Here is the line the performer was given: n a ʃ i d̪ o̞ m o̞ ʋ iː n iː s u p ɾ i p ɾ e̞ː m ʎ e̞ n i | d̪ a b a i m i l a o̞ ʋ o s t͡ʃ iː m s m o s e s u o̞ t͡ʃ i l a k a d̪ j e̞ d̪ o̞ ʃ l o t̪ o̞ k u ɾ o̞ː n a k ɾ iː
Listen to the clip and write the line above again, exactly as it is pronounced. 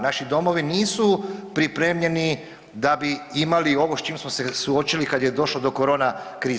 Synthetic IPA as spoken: n a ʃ i d̪ o̞ m o̞ ʋ i n iː s u p ɾ i p ɾ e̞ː m ʎ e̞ n i | d̪ a b i i m a l i o̞ ʋ o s t͡ʃ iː m s m o s e s u o̞ t͡ʃ i l i k a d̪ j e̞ d̪ o̞ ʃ l o d̪ o̞ k o ɾ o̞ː n a k ɾ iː